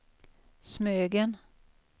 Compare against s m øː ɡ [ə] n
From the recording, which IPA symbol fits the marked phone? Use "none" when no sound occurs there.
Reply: ə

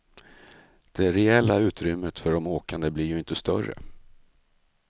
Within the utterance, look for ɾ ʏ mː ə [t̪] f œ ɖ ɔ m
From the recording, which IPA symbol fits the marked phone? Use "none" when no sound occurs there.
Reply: t̪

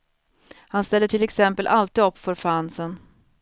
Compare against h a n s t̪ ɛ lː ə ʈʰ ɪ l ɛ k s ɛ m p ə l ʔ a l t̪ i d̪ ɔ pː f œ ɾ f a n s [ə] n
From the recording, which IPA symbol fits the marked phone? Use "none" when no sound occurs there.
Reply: ə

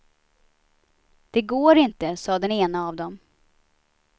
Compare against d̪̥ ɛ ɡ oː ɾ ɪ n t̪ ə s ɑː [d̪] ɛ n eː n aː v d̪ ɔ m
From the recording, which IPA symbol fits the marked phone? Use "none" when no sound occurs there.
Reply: d̪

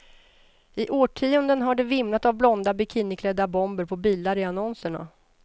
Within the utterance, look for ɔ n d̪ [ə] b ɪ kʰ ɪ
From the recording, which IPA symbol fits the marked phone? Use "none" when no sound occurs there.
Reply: a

